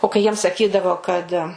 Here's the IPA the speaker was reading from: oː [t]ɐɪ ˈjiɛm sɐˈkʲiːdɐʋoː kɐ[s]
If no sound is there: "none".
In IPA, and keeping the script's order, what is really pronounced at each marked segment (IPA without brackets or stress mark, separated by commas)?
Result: k, t